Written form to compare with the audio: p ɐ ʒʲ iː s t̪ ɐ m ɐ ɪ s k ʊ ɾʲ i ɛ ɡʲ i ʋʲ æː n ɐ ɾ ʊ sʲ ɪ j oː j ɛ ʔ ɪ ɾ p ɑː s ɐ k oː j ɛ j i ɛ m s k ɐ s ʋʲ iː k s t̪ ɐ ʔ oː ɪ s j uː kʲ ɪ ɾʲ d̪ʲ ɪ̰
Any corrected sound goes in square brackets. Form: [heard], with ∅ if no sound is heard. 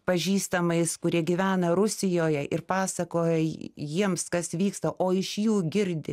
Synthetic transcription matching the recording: p ɐ ʒʲ iː s t̪ ɐ m ɐ ɪ s k ʊ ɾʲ i ɛ ɡʲ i ʋʲ æː n ɐ ɾ ʊ sʲ ɪ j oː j ɛ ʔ ɪ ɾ p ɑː s ɐ k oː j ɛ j i ɛ m s k ɐ s ʋʲ iː k s t̪ ɐ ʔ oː ɪ [ʃ] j uː [ɡʲ] ɪ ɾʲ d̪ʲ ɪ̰